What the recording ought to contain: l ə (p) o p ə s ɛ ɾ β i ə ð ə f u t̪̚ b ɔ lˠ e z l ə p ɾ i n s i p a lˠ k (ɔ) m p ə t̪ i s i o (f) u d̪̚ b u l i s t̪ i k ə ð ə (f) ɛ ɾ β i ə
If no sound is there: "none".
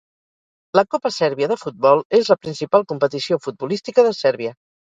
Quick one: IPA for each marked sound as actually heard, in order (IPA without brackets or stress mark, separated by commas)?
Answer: k, u, f, s